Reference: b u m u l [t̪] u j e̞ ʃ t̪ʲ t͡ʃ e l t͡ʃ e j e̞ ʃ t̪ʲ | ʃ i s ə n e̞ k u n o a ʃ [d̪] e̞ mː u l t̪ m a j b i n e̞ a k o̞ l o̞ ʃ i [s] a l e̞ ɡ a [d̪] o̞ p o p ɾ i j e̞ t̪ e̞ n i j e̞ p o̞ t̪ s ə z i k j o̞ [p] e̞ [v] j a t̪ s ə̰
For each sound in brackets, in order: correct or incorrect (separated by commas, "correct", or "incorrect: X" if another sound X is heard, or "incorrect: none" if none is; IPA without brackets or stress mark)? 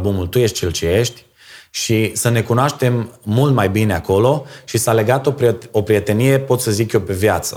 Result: correct, incorrect: t̪, correct, incorrect: t̪, correct, correct